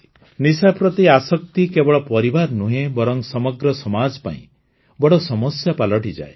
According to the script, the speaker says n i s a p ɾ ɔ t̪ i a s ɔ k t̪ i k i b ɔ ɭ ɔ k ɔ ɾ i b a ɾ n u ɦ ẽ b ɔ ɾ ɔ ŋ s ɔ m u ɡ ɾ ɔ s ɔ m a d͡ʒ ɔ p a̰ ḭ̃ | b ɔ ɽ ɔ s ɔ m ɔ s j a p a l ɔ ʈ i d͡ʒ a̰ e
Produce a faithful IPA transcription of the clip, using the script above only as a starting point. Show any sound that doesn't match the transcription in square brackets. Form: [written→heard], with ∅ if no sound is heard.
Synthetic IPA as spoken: n i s a p ɾ ɔ t̪ i a s ɔ k t̪ i k [i→e] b ɔ ɭ ɔ [k→p] ɔ ɾ i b a ɾ n u ɦ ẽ b ɔ ɾ ɔ ŋ s ɔ m [u→ɔ] ɡ ɾ ɔ s ɔ m a d͡ʒ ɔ p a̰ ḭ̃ | b ɔ ɽ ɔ s ɔ m ɔ s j a p a l ɔ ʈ i d͡ʒ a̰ e